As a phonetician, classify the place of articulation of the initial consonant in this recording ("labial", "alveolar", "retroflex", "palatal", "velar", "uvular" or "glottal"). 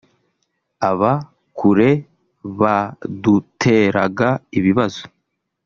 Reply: labial